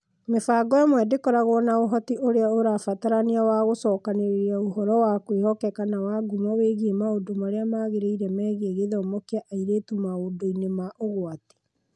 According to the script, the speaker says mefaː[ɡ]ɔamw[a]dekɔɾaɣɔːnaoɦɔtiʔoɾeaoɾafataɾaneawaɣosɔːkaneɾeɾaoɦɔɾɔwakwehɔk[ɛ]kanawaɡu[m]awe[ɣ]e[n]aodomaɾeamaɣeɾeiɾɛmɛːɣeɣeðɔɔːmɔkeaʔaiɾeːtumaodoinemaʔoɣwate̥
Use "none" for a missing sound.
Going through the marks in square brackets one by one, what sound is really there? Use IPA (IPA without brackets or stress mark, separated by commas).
ɡ, ɛ, ɛ, m, ɣ, m